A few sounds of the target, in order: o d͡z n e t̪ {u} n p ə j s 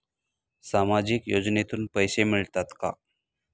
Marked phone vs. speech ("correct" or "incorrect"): incorrect